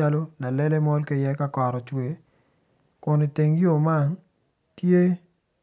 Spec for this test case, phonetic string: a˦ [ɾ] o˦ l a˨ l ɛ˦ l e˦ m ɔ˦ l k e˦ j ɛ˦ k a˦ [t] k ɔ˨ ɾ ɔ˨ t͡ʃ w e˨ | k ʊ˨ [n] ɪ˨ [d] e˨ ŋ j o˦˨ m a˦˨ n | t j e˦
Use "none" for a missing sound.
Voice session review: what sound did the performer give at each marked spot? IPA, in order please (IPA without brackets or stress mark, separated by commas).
l, none, n, t